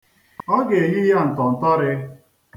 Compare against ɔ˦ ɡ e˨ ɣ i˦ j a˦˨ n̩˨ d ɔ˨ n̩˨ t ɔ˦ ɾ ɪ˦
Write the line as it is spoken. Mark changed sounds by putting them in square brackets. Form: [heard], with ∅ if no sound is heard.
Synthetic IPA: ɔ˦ ɡ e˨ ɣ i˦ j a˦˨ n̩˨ [t] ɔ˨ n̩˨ t ɔ˦ ɾ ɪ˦

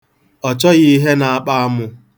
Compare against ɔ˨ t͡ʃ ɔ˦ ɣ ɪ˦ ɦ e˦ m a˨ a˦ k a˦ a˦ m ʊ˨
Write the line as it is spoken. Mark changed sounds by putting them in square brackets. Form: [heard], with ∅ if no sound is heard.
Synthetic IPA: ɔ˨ t͡ʃ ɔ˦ ɣ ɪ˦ ɦ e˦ [n] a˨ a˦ [k͡p] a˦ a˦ m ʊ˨

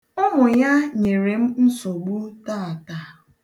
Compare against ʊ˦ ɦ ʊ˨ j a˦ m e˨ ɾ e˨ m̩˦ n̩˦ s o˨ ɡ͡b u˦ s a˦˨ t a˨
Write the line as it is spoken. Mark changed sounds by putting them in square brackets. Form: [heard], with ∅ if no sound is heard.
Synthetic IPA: ʊ˦ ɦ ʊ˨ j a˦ [ɲ] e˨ ɾ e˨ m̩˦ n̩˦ s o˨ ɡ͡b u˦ [t] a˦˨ t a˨

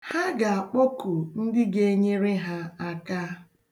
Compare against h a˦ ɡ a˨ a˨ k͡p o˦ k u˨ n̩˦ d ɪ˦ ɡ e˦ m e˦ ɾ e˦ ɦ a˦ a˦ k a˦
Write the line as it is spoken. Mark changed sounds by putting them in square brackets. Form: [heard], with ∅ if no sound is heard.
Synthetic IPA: h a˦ ɡ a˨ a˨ k͡p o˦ k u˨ n̩˦ d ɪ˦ ɡ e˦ [ɲ] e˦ ɾ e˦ ɦ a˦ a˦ k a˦

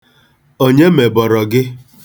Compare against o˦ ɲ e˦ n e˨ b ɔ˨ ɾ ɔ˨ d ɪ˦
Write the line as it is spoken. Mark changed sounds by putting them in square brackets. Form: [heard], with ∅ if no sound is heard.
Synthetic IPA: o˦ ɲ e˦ [m] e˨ b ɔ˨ ɾ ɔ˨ [ɡ] ɪ˦

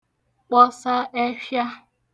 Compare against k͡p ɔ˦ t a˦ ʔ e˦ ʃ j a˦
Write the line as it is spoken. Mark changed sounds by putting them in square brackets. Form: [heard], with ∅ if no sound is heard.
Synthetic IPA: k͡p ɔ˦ [s] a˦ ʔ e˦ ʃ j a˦

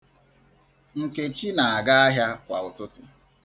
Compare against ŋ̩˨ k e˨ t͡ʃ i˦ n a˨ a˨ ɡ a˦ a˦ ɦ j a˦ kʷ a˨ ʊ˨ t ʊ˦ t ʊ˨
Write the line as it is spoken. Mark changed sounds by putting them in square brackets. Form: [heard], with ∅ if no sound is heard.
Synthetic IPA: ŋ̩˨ k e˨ t͡ʃ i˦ n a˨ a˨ ɡ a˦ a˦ ɦ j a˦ kʷ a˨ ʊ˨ t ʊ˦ t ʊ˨

